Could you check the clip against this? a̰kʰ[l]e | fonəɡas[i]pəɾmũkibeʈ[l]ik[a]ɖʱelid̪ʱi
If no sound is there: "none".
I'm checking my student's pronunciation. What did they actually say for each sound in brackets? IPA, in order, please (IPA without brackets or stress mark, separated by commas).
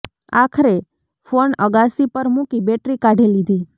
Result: ɾ, i, ɾ, a